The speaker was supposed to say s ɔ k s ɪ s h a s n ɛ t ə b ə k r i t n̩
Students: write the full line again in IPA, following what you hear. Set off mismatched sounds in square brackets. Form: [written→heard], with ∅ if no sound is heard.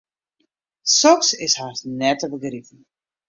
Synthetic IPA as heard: s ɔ k s ɪ s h a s n ɛ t ə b ə [k→ɡ] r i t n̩